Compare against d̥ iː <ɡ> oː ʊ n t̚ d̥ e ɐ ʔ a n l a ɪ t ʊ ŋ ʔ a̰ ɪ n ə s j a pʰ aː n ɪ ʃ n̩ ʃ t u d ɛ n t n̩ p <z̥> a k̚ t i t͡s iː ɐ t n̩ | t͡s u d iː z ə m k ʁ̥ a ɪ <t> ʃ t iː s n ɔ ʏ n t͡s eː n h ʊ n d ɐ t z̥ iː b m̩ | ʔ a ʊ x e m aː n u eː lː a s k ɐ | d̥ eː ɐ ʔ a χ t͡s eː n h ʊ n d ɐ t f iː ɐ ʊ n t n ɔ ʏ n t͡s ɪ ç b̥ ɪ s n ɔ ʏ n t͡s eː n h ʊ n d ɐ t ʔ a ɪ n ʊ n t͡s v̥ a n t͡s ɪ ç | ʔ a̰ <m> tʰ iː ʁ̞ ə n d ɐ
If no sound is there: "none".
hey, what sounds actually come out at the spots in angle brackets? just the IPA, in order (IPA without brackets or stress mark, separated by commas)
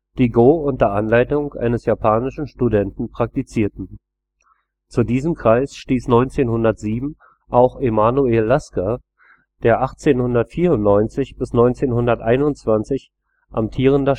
ɡ, ʁ̥, s, m